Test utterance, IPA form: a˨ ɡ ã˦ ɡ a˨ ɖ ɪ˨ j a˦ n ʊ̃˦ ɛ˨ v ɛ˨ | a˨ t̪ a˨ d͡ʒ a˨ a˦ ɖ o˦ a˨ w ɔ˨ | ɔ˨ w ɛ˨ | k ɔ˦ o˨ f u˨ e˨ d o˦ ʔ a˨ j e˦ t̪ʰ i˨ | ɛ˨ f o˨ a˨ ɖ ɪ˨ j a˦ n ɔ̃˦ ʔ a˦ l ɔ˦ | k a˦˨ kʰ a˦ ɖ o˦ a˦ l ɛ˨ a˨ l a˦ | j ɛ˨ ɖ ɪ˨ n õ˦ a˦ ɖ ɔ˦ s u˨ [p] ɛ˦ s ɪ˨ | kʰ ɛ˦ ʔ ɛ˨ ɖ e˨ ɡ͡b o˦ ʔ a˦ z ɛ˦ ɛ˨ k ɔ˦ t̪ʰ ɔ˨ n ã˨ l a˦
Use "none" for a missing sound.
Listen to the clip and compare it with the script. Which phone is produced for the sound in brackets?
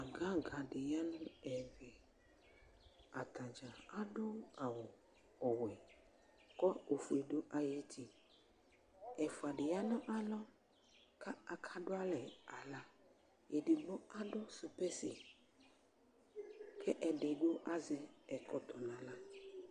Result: p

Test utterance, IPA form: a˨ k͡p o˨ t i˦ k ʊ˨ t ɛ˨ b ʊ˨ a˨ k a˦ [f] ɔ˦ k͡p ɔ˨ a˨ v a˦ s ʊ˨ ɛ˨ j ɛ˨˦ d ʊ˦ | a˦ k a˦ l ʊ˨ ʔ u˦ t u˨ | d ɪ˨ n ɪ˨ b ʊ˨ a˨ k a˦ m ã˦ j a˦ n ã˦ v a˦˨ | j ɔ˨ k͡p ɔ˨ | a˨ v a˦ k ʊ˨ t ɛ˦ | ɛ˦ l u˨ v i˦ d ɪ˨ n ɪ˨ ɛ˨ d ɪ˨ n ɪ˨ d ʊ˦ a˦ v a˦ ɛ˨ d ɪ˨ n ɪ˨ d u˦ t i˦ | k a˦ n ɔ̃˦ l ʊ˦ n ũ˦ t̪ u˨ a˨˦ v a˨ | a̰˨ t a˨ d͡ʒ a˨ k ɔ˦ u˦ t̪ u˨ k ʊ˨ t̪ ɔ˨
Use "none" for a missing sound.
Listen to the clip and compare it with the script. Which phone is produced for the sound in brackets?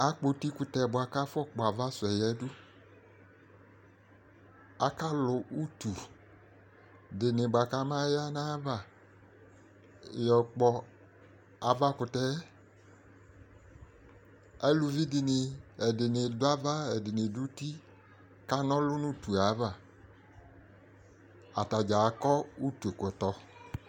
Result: f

